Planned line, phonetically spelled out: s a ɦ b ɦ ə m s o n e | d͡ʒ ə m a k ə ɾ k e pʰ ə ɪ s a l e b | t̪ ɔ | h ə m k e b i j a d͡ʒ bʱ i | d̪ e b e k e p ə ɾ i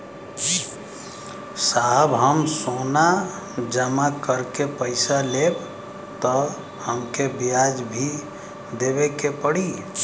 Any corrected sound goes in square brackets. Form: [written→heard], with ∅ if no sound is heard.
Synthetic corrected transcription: s a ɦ b ɦ ə m s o n [e→a] | d͡ʒ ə m a k ə ɾ k e [pʰ→p] ə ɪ s a l e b | t̪ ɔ | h ə m k e b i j a d͡ʒ bʱ i | d̪ e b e k e p ə [ɾ→ɽ] i